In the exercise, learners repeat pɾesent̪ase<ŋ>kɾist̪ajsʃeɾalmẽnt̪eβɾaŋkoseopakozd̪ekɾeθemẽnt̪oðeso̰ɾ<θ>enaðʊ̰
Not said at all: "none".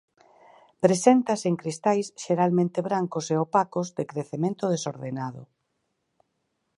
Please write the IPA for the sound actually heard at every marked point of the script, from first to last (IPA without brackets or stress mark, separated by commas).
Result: ŋ, ð